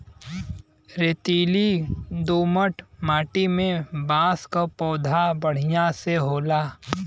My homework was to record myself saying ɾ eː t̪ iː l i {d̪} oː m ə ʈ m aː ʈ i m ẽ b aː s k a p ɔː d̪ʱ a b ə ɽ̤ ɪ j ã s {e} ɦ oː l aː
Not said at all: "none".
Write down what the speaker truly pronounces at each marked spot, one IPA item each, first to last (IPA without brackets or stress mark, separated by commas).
d̪, e